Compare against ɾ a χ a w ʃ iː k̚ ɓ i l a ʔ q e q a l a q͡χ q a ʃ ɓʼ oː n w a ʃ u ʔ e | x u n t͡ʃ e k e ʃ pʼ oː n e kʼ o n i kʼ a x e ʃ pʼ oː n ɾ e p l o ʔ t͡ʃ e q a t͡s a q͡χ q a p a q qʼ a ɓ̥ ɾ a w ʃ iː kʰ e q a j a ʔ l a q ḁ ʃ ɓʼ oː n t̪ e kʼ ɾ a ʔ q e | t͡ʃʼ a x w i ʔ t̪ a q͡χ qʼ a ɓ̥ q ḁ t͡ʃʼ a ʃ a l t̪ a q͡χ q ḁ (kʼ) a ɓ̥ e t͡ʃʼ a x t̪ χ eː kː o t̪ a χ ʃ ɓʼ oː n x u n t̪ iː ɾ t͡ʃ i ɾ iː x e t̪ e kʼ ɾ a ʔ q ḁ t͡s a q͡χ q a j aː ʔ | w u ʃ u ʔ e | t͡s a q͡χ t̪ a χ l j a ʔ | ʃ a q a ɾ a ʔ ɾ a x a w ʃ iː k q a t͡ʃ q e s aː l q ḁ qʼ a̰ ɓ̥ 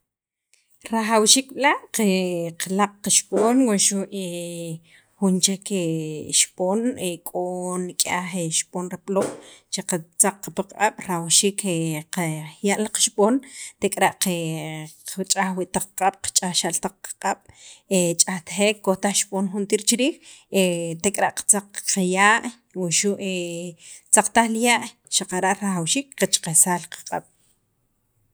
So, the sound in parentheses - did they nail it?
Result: no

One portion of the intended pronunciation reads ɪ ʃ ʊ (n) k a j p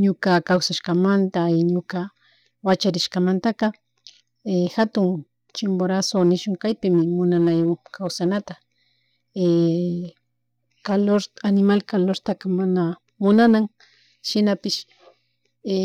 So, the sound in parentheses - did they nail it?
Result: no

